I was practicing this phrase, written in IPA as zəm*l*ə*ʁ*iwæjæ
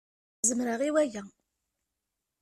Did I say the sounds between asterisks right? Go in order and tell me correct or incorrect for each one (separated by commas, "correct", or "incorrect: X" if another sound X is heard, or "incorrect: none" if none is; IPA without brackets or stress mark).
incorrect: ɾ, correct